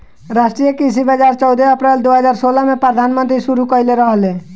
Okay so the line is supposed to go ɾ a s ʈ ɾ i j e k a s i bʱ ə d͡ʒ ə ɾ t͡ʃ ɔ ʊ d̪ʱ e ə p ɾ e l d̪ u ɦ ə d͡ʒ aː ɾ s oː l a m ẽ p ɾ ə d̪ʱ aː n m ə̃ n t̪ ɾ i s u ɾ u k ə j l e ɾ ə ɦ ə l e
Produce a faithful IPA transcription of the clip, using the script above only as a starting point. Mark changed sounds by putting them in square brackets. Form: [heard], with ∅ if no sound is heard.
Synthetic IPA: ɾ a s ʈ ɾ i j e k [i] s i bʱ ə d͡ʒ [a] ɾ t͡ʃ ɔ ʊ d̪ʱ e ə p ɾ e l d̪ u ɦ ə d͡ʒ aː ɾ s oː l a m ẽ p ɾ ə d̪ʱ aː n m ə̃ n t̪ ɾ i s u ɾ u k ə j l e ɾ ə ɦ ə l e

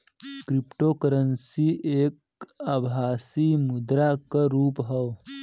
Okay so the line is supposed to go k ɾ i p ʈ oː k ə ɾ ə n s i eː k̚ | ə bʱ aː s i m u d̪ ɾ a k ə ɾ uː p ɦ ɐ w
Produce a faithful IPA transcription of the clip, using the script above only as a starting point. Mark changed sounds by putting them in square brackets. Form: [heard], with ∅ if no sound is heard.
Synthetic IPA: k ɾ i p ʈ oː k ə ɾ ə n s i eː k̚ | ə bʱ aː s i m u d̪ ɾ a k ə ɾ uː p ɦ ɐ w

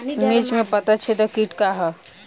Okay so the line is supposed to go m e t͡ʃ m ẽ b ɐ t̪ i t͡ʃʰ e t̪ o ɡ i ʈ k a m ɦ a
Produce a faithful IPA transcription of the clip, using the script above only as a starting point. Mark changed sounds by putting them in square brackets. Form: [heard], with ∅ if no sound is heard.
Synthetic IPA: m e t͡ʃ m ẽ [p] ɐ t̪ [a] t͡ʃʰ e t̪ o [k] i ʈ k a [∅] ɦ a

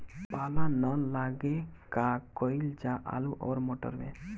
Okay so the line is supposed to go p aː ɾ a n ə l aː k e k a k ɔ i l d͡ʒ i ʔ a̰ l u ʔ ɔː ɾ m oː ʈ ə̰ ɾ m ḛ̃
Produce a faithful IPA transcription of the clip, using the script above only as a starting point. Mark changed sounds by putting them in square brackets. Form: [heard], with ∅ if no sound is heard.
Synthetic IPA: p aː [l] a n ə l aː [ɡ] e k a k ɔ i l d͡ʒ [a] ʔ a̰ l u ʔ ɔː ɾ m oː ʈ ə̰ ɾ m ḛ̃

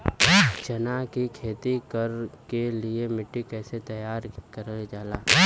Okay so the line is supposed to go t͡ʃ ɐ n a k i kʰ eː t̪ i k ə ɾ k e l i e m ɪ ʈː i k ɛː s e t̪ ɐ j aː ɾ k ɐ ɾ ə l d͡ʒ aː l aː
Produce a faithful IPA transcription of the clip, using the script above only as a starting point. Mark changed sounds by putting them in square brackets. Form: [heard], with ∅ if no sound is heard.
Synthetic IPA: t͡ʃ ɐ n a k i kʰ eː t̪ i k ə ɾ k e l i e m ɪ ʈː i k ɛː s e t̪ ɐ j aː ɾ k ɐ ɾ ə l d͡ʒ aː l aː

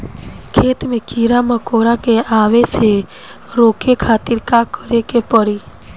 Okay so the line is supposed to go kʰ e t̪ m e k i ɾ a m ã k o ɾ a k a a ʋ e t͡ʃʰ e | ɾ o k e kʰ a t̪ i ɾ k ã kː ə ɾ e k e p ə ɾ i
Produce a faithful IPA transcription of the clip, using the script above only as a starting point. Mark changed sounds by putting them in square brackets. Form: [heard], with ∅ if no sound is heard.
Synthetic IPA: kʰ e t̪ m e k i ɾ a m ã k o ɾ a k [e] a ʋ e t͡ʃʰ e | ɾ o k e kʰ a t̪ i ɾ k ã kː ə ɾ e k e p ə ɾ i

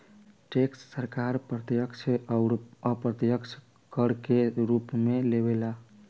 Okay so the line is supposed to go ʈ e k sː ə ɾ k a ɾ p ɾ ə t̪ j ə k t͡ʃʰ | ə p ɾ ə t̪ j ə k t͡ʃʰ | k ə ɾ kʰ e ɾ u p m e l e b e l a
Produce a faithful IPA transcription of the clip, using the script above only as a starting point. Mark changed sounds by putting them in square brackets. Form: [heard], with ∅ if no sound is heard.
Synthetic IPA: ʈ e k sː ə ɾ k a ɾ p ɾ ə t̪ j ə k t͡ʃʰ | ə p ɾ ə t̪ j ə k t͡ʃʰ | k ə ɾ [k] e ɾ u p m e l e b e l a

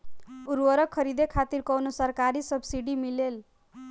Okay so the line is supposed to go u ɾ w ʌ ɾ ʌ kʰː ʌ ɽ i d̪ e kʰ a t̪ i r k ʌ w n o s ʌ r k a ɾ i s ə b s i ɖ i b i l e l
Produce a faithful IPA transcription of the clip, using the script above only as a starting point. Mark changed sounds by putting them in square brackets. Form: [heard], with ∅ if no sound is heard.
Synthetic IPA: u ɾ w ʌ ɾ ʌ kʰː ʌ [ɾ] i d̪ e kʰ a t̪ i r k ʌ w n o s ʌ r k a ɾ i s [ʌ] b s i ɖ i [m] i l e l

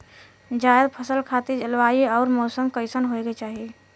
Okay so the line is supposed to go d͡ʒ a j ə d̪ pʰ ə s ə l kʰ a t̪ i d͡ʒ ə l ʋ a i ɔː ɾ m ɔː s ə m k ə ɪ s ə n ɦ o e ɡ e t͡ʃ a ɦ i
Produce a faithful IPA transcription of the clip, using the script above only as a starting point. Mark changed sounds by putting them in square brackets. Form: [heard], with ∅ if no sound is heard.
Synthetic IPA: d͡ʒ a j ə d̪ pʰ ə s ə l kʰ a t̪ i d͡ʒ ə l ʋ a i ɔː ɾ m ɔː s ə m k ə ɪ s ə n ɦ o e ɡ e t͡ʃ a ɦ i

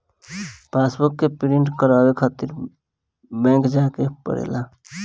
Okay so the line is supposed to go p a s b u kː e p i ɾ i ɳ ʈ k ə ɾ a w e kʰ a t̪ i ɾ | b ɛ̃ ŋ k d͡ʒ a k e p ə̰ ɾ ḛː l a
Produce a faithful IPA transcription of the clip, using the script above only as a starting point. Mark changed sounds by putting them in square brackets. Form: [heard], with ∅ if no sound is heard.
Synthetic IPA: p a s b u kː e p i ɾ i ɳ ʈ k ə ɾ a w e kʰ a t̪ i ɾ | b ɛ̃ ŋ k d͡ʒ a k e p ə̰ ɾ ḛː l a

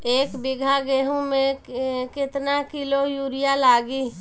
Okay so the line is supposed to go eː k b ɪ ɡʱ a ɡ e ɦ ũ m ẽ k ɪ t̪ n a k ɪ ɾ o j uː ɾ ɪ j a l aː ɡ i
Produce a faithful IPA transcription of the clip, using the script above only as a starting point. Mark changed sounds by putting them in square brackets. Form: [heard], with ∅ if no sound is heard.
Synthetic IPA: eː k b ɪ ɡʱ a ɡ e ɦ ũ m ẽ k ɪ t̪ n a k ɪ [l] o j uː ɾ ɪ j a l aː ɡ i

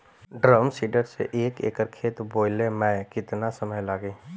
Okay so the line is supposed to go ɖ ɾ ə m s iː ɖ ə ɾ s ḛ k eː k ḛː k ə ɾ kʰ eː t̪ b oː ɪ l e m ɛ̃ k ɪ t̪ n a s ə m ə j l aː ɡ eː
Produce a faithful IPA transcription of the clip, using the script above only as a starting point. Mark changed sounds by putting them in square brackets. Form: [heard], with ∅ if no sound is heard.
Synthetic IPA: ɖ ɾ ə m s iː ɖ ə ɾ s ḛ [ʔ] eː k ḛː k ə ɾ kʰ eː t̪ b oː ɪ l e m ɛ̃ k ɪ t̪ n a s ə m ə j l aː ɡ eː

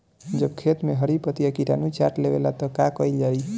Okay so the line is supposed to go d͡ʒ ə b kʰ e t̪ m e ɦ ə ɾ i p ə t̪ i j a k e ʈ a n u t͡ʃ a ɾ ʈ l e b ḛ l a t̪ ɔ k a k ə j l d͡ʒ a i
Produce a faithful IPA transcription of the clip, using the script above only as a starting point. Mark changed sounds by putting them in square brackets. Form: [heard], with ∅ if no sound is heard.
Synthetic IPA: d͡ʒ ə b kʰ e t̪ m e ɦ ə ɾ i p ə t̪ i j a k [i] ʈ a n u t͡ʃ a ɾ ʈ l e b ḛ l a t̪ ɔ k a k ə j l d͡ʒ a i

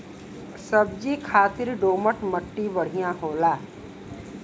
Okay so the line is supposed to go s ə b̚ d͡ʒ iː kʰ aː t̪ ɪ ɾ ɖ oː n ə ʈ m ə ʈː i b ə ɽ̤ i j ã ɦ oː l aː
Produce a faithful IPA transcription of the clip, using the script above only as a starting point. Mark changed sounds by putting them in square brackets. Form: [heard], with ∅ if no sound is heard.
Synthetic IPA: s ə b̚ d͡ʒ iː kʰ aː t̪ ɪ ɾ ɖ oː [m] ə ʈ m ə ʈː i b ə ɽ̤ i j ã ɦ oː l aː

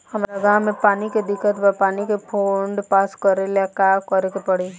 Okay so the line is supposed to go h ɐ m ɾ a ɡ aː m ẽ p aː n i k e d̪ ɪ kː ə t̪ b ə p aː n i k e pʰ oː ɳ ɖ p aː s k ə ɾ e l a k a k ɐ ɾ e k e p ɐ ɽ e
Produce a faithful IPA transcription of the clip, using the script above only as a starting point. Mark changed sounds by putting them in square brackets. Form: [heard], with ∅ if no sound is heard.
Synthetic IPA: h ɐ m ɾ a ɡ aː m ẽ p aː n i k e d̪ ɪ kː ə t̪ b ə p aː n i k e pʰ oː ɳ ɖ p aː s k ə ɾ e l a k a k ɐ ɾ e k e p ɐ ɽ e

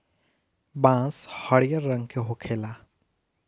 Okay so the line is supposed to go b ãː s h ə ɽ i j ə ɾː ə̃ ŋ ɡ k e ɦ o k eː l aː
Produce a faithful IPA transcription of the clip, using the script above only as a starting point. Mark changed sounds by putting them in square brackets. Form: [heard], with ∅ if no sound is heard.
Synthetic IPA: b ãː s h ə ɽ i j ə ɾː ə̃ ŋ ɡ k e ɦ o [kʰ] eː l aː

